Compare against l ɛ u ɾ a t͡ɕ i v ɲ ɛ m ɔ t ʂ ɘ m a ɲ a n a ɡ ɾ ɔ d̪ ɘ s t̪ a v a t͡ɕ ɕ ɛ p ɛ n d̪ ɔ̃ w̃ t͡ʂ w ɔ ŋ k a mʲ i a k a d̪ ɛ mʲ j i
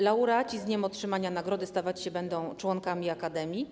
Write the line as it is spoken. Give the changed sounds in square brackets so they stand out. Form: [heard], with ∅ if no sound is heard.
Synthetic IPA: l [a] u ɾ a t͡ɕ i [z] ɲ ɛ m ɔ t ʂ ɘ m a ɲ a n a ɡ ɾ ɔ d̪ ɘ s t̪ a v a t͡ɕ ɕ ɛ [b] ɛ n d̪ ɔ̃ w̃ t͡ʂ w ɔ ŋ k a mʲ i a k a d̪ ɛ mʲ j i